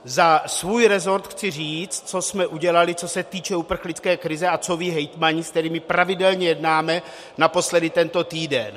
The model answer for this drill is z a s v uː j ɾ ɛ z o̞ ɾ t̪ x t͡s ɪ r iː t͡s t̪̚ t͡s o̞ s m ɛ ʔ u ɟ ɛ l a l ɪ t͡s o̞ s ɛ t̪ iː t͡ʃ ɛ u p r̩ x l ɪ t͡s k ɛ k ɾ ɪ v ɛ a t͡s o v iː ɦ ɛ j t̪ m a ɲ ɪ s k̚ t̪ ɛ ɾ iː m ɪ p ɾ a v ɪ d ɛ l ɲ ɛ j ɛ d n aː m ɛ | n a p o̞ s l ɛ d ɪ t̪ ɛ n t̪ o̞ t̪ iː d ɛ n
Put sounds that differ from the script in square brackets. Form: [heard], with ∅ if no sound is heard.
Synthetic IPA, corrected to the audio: z a s v uː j ɾ ɛ z o̞ ɾ t̪ x t͡s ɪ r iː t͡s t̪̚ t͡s o̞ s m ɛ ʔ u ɟ ɛ l a l ɪ t͡s o̞ s ɛ t̪ iː t͡ʃ ɛ u p r̩ x l ɪ t͡s k [ɛː] k ɾ ɪ [z] ɛ a t͡s o v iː ɦ ɛ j t̪ m a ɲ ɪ s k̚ t̪ ɛ ɾ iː m ɪ p ɾ a v ɪ d ɛ l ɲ ɛ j ɛ d n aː m ɛ | n a p o̞ s l ɛ d ɪ t̪ ɛ n t̪ o̞ t̪ iː d ɛ n

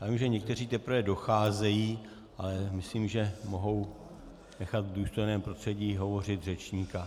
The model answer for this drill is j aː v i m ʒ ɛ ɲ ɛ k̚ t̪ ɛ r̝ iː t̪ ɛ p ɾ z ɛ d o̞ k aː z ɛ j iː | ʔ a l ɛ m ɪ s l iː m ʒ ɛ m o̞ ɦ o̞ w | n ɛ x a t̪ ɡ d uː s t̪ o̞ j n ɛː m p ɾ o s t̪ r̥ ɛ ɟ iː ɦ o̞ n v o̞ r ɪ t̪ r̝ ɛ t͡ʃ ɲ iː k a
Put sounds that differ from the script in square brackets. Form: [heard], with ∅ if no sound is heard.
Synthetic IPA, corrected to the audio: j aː v i m ʒ ɛ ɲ ɛ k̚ t̪ ɛ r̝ iː t̪ ɛ p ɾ [v] ɛ d o̞ [x] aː z ɛ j iː | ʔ a l ɛ m ɪ s l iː m ʒ ɛ m o̞ ɦ o̞ w | n ɛ x a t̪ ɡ d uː s t̪ o̞ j n ɛː m p ɾ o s t̪ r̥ ɛ ɟ iː ɦ o̞ [∅] v o̞ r ɪ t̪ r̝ ɛ t͡ʃ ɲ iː k a

